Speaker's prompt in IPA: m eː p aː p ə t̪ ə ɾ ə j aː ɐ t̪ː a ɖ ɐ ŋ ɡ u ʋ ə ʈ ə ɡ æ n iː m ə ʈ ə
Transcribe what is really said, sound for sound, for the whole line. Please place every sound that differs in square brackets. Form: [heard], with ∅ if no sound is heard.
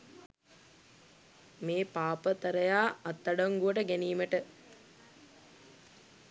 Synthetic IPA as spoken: m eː p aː p ə t̪ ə ɾ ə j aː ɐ t̪ː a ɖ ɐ ŋ ɡ u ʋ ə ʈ ə ɡ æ n iː m ə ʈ ə